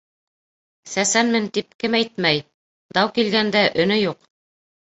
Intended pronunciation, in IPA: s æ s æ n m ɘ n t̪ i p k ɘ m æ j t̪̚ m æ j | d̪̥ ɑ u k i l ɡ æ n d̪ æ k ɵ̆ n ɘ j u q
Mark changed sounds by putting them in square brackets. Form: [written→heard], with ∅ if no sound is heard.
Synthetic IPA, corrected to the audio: s æ s æ n m ɘ n t̪ i p k ɘ m æ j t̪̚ m æ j | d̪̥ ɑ [u→w] k i l ɡ æ n d̪ æ [k→ʔ] ɵ̆ n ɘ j u q